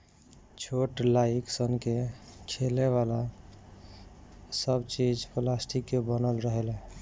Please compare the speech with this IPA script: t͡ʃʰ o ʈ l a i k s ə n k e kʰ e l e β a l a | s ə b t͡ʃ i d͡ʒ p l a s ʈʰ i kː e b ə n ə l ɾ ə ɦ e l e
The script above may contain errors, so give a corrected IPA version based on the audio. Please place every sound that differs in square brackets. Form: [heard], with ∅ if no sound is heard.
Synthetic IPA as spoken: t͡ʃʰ o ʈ l a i k s ə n k e kʰ e l e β a l a | s ə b t͡ʃ i d͡ʒ p l a s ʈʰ i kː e b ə n ə l ɾ ə ɦ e l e